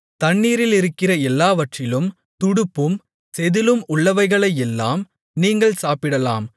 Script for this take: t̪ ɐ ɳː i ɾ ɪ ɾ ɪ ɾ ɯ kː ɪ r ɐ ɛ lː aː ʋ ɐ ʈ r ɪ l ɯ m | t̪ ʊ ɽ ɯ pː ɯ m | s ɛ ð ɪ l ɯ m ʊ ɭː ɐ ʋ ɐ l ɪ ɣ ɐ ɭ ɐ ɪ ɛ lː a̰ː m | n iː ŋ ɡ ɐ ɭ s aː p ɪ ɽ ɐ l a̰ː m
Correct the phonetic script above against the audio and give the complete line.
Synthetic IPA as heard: t̪ ɐ ɳː iː ɾ ɪ l ɪ ɾ ɯ kː ɪ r ɐ ɛ lː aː ʋ ɐ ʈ r ɪ l ɯ m | t̪ ʊ ɽ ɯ pː ɯ m | s ɛ ð ɪ l ɯ m ʊ ɭː ɐ ʋ ɐ ɪ ɣ ɐ ɭ ɐ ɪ ɛ lː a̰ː m | n iː ŋ ɡ ɐ ɭ s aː p ɪ ɽ ɐ l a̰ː m